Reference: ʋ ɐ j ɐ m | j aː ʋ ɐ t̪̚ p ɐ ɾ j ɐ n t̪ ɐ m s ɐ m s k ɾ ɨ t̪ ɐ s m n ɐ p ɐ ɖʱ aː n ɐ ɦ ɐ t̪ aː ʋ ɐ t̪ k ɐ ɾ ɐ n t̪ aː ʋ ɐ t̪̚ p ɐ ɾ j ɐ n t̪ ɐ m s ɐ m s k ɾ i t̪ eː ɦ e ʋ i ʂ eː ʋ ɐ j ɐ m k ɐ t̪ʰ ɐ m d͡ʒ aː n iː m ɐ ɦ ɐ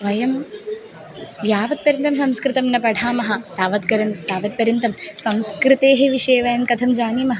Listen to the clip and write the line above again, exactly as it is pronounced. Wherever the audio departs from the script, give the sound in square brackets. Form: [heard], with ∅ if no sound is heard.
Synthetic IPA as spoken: ʋ ɐ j ɐ m | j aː ʋ ɐ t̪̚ p ɐ ɾ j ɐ n t̪ ɐ m s ɐ m s k ɾ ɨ t̪ ɐ [∅] m n ɐ p ɐ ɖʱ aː [m] ɐ ɦ ɐ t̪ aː ʋ ɐ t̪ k ɐ ɾ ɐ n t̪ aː ʋ ɐ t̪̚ p ɐ ɾ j ɐ n t̪ ɐ m s ɐ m s k ɾ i t̪ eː ɦ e ʋ i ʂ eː ʋ ɐ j ɐ m k ɐ t̪ʰ ɐ m d͡ʒ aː n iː m ɐ ɦ ɐ